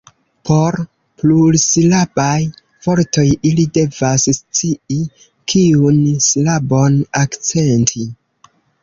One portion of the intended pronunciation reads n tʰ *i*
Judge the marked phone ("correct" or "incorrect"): correct